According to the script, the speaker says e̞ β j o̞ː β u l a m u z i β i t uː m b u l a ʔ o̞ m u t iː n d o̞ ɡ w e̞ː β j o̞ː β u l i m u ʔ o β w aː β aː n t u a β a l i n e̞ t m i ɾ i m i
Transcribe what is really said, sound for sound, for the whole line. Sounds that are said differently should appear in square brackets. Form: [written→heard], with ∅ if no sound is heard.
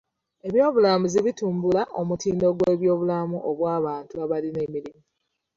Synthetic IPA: e̞ β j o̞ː β u l a m u z i β i t uː m b u l a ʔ o̞ m u t iː n d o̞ ɡ w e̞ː β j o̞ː β u l [i→a] m u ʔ o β w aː β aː n t u a β a l i n e̞ [t→∅] m i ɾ i m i